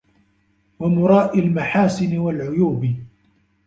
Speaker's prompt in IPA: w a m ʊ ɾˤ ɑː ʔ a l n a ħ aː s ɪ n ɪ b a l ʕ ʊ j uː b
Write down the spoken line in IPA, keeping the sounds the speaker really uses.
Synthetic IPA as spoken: w a m ʊ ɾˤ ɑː ʔ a l m a ħ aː s ɪ n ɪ w a l ʕ ʊ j uː b